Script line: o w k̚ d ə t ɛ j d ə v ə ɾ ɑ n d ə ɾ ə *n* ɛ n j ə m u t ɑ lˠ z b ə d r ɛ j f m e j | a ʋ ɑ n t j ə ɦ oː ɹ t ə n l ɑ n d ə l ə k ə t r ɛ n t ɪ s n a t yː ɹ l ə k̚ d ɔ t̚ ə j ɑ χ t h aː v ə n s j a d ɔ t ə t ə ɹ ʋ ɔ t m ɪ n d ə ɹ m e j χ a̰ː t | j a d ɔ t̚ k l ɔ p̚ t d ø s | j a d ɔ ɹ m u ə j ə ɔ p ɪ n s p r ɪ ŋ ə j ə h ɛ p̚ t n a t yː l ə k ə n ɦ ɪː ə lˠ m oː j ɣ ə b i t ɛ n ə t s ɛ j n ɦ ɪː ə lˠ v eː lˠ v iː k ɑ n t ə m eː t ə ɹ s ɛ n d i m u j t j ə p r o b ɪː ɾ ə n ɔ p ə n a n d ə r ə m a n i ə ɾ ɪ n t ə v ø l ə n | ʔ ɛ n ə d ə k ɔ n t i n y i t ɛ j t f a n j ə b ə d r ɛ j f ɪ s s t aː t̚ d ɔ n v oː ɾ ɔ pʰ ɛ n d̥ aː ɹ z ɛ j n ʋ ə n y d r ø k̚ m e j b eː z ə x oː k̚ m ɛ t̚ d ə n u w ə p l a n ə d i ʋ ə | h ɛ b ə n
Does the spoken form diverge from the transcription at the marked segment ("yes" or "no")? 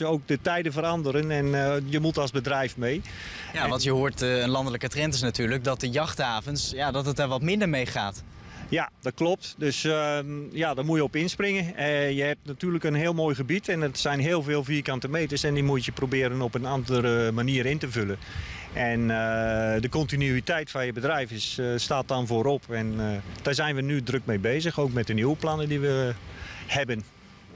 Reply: no